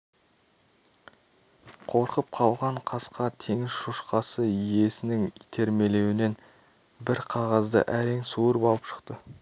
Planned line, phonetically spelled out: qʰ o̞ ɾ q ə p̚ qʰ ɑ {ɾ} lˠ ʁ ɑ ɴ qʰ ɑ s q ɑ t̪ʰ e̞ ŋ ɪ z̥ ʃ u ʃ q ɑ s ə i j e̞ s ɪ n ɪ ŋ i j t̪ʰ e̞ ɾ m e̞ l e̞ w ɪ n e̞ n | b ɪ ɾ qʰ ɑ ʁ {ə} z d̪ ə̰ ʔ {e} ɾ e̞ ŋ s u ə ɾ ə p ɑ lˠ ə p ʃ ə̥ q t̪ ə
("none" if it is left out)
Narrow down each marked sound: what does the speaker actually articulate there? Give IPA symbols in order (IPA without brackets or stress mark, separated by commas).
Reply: none, ɑ, æ